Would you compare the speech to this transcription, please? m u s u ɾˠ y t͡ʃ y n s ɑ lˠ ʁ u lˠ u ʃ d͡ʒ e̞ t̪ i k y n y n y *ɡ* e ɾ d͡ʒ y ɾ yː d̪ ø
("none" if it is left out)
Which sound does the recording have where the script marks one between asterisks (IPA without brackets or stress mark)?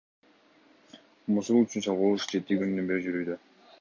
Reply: b